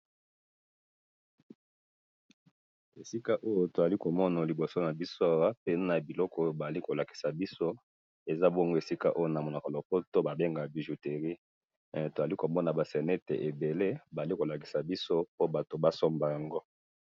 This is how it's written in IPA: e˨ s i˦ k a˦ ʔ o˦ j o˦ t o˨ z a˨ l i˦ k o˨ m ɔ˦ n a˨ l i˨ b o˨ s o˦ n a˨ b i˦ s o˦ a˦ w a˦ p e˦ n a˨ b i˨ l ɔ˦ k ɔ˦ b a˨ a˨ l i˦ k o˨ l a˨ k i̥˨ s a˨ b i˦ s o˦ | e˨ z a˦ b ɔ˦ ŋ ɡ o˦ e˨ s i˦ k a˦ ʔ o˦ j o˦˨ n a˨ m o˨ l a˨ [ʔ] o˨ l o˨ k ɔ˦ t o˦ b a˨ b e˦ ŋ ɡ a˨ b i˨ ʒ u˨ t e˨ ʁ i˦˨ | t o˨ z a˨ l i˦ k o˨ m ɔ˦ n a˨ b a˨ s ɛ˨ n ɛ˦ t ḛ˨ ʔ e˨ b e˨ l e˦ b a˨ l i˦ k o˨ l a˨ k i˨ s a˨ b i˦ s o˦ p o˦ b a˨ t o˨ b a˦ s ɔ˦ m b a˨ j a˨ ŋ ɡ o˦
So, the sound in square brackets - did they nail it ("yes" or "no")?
no